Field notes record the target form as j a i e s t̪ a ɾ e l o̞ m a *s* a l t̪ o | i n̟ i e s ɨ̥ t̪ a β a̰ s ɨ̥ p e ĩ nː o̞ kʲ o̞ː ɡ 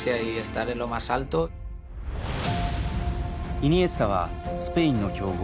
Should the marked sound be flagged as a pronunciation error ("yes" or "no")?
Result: no